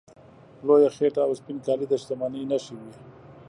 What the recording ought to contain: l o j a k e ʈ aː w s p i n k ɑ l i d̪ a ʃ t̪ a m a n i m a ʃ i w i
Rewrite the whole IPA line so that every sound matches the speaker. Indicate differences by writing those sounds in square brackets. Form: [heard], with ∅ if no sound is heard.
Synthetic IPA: l o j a [x] e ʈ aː w s p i n k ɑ l i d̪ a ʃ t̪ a m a n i [n] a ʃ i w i